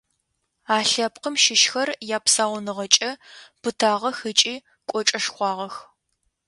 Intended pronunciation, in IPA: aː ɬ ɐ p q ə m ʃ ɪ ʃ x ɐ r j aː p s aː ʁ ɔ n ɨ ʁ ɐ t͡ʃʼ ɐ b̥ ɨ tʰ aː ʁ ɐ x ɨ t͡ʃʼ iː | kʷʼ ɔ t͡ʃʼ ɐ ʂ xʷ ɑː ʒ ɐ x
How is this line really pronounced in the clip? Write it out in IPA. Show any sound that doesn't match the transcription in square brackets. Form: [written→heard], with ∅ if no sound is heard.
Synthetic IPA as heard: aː ɬ ɐ p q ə m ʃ ɪ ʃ x ɐ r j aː p s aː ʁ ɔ n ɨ ʁ ɐ t͡ʃʼ ɐ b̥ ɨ tʰ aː ʁ ɐ x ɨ t͡ʃʼ iː | kʷʼ ɔ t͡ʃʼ ɐ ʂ xʷ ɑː [ʒ→ʁ] ɐ x